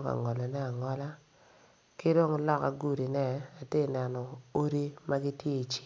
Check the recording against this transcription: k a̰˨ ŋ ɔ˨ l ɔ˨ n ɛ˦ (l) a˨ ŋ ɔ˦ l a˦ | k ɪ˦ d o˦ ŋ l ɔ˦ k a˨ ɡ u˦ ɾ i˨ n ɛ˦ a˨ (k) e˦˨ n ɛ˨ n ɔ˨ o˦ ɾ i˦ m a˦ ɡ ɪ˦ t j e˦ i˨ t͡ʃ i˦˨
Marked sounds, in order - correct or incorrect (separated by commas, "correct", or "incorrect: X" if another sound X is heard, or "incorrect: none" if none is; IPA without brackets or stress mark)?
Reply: incorrect: none, incorrect: t